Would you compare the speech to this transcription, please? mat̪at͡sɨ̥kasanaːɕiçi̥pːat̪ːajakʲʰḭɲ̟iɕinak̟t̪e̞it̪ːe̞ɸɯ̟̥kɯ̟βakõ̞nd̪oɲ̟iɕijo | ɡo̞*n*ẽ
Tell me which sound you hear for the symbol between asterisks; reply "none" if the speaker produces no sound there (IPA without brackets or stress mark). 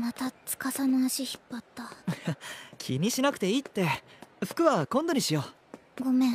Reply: m